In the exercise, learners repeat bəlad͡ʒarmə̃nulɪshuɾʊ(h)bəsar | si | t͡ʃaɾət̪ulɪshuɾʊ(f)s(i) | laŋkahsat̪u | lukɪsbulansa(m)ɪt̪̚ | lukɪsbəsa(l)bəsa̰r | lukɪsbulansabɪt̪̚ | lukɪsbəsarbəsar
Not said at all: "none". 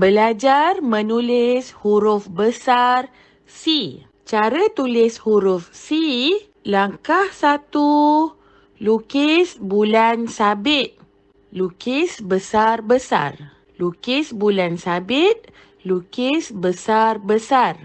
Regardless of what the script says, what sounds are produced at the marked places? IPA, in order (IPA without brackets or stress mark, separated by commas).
f, f, i, b, r